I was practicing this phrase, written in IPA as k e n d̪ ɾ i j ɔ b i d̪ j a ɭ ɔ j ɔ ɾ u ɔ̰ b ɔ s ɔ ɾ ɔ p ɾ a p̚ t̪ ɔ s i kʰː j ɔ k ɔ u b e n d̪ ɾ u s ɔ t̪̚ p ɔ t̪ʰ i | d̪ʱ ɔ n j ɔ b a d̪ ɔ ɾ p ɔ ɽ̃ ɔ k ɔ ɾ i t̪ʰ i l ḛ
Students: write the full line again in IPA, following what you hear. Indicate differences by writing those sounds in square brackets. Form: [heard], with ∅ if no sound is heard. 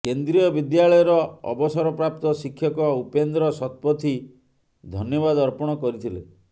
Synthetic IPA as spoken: k e n d̪ ɾ i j ɔ b i d̪ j a ɭ ɔ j ɔ ɾ [ɔ] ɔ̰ b ɔ s ɔ ɾ ɔ p ɾ a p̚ t̪ ɔ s i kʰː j ɔ k ɔ u [p] e n d̪ ɾ [ɔ] s ɔ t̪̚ p ɔ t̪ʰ i | d̪ʱ ɔ n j ɔ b a d̪ ɔ ɾ p ɔ ɽ̃ ɔ k ɔ ɾ i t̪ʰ i l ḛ